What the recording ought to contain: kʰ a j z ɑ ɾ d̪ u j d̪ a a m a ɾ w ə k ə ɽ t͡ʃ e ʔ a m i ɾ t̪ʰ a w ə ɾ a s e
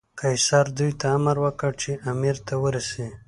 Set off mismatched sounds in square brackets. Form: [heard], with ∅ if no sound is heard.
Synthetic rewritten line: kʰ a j [s] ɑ ɾ d̪ u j [t̪] a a m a ɾ w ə k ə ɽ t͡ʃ e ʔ a m i ɾ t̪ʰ a w ə ɾ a s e